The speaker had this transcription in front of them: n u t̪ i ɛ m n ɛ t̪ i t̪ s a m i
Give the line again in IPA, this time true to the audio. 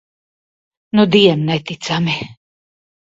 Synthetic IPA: n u d̪ i ɛ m n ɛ t̪ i t̪ s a m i